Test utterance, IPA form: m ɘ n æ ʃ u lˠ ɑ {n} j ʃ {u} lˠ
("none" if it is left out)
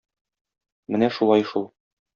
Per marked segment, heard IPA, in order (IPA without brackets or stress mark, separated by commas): none, u